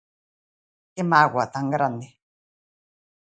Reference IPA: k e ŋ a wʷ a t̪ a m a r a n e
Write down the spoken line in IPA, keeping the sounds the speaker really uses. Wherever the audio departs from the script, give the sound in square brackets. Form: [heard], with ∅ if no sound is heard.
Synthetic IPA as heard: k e [m] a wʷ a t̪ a [ŋ] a [ɾ] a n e